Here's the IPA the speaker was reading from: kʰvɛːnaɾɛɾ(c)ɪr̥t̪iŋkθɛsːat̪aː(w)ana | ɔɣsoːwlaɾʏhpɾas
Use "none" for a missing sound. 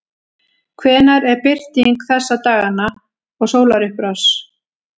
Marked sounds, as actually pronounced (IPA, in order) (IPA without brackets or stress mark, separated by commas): p, ɣ